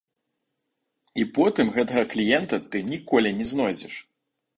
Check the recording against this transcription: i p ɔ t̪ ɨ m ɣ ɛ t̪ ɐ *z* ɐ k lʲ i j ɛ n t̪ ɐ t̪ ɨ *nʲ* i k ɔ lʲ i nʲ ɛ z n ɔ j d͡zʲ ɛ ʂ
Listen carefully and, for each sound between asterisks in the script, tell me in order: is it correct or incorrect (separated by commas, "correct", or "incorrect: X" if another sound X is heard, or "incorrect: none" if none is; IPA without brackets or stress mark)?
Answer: incorrect: ɣ, correct